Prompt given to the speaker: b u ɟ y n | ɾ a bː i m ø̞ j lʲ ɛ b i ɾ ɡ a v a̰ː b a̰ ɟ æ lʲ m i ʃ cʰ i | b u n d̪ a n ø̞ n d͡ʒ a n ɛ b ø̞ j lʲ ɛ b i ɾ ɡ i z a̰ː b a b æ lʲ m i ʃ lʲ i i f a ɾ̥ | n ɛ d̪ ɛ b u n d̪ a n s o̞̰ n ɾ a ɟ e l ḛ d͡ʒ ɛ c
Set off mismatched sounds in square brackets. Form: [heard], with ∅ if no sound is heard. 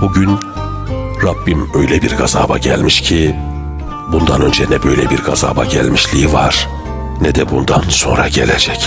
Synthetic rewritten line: b u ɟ y n | ɾ a bː i m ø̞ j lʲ ɛ b i ɾ ɡ a [z] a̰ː b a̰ ɟ æ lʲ m i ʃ cʰ i | b u n d̪ a n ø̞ n d͡ʒ [ɛ] n ɛ b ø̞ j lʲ ɛ b i ɾ ɡ [a] z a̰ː b a [ɟ] æ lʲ m i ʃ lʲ i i [v] a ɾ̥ | n ɛ d̪ ɛ b u n d̪ a n s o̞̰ n ɾ a ɟ e l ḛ d͡ʒ ɛ c

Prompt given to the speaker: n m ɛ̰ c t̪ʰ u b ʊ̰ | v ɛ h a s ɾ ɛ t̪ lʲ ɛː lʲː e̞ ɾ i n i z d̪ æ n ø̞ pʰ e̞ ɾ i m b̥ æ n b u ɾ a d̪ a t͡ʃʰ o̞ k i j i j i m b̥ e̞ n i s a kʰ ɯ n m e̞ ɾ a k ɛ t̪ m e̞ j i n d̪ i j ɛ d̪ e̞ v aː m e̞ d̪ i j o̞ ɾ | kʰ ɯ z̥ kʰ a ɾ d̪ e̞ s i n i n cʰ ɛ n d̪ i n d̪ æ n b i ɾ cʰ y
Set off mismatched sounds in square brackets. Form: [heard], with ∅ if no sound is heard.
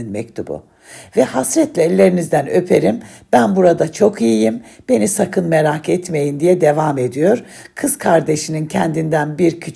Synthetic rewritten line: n m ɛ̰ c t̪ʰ u b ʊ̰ | v ɛ h a s ɾ ɛ t̪ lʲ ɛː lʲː e̞ ɾ i n i z d̪ æ n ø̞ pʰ e̞ ɾ i m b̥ æ n b u ɾ a d̪ a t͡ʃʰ o̞ k i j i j i m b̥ e̞ n i s a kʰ ɯ n m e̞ ɾ a k ɛ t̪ m e̞ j i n d̪ i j ɛ d̪ e̞ v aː m e̞ d̪ i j o̞ ɾ | kʰ ɯ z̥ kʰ a ɾ d̪ e̞ [ʃ] i n i n cʰ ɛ n d̪ i n d̪ æ n b i ɾ cʰ y

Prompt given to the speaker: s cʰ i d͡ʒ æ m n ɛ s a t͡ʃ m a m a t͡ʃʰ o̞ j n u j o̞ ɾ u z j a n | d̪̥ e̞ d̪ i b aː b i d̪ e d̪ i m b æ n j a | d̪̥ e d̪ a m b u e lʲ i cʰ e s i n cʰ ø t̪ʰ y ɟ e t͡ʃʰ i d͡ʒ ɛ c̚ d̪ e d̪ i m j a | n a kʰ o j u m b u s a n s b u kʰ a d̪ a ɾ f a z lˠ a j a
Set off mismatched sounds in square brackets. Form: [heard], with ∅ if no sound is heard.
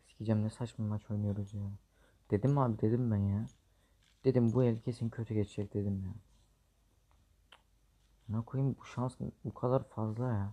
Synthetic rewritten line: s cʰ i d͡ʒ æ m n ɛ s a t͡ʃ m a m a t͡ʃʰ o̞ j n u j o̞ ɾ u z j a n | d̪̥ e̞ d̪ i [m] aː b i d̪ e d̪ i m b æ n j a | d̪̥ e d̪ [i] m b u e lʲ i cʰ e s i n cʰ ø t̪ʰ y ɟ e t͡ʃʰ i d͡ʒ ɛ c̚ d̪ e d̪ i m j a | n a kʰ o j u m b u [ʃ] a n s b u kʰ a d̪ a ɾ f a z lˠ a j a

